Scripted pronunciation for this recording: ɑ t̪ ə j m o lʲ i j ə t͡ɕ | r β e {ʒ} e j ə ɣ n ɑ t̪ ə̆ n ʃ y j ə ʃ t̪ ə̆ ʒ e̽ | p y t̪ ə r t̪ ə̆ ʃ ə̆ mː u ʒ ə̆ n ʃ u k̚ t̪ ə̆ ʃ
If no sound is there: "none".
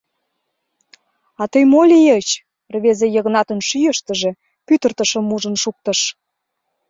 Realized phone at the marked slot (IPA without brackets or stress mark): z